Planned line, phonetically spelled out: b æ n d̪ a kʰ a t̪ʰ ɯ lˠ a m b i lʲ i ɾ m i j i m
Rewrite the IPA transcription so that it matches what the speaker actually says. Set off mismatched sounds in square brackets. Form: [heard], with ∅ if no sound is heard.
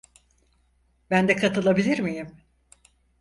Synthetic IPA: b æ n d̪ [ɛ] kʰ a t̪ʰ ɯ lˠ a [∅] b i lʲ i ɾ m i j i m